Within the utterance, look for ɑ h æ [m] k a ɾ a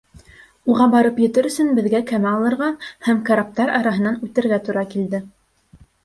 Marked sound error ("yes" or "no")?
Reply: no